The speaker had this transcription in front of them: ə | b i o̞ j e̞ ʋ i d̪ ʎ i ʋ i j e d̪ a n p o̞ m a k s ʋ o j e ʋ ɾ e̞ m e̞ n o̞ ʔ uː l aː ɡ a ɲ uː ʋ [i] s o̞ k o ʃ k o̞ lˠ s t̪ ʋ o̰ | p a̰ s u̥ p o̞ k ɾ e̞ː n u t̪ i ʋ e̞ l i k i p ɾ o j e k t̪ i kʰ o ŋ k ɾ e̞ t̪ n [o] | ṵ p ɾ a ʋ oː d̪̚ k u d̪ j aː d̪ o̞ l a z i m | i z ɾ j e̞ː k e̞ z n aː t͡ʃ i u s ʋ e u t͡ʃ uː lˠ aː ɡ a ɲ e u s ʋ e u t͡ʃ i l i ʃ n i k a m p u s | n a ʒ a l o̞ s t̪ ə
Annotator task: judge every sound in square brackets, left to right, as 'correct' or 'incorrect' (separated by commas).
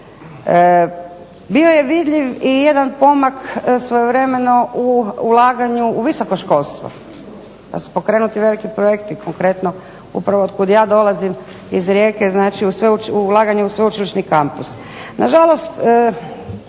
correct, correct